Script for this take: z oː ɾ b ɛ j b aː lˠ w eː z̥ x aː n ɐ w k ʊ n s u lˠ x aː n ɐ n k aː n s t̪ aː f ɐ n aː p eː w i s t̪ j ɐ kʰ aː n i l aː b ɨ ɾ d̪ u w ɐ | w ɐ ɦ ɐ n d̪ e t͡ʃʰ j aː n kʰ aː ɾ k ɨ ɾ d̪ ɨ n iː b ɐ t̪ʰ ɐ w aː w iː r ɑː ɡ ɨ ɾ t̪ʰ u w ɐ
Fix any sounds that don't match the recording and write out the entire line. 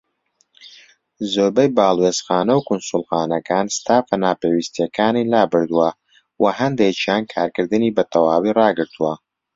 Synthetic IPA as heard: z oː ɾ b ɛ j b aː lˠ w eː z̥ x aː n ɐ w k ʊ n s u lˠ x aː n ɐ k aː n s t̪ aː f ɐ n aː p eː w i s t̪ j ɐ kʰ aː n i l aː b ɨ ɾ d̪ u w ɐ | w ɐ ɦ ɐ n d̪ e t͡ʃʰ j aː n kʰ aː ɾ k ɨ ɾ d̪ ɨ n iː b ɐ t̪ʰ ɐ w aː w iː r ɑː ɡ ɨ ɾ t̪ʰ u w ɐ